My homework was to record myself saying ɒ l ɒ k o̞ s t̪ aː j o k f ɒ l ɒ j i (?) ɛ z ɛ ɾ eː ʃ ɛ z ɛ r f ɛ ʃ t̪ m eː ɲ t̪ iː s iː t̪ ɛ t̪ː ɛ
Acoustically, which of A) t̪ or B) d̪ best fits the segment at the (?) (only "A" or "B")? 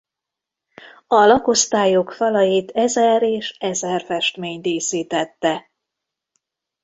A